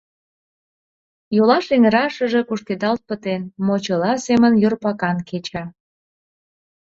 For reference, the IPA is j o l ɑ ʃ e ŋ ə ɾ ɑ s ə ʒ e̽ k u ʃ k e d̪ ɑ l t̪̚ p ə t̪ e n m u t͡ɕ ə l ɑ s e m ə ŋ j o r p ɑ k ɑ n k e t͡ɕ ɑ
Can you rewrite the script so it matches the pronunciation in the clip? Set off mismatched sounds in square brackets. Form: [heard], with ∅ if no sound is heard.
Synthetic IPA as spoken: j o l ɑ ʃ e ŋ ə ɾ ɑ [ʃ] ə ʒ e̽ k u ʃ k e d̪ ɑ l t̪̚ p ə t̪ e n m [o] t͡ɕ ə l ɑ s e m ə [n] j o r p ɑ k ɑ n k e t͡ɕ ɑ